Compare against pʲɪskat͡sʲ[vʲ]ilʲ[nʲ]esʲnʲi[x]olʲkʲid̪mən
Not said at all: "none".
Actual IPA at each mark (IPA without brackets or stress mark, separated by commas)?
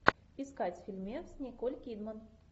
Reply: fʲ, mʲ, k